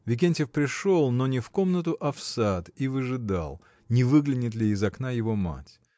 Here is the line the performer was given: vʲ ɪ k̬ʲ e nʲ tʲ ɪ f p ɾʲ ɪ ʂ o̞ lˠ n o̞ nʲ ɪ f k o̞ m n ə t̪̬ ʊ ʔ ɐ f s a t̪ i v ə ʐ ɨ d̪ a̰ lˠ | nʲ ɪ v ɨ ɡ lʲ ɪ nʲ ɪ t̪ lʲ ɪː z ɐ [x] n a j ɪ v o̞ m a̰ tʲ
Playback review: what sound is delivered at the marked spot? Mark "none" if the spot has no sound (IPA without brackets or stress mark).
k